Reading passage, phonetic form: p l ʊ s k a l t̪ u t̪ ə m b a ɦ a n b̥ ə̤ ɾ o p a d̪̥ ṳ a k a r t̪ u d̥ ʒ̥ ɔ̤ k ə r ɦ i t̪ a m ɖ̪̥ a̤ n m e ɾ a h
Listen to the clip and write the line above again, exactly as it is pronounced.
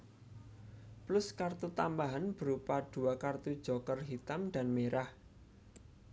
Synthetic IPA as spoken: p l ʊ s k a r t̪ u t̪ a m b a ɦ a n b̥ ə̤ ɾ u p a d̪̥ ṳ a k a r t̪ u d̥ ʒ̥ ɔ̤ k ə r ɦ i t̪ a m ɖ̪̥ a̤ n m e ɾ a h